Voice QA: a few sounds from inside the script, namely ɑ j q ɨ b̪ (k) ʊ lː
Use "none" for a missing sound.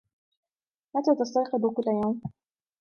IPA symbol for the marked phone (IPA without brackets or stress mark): k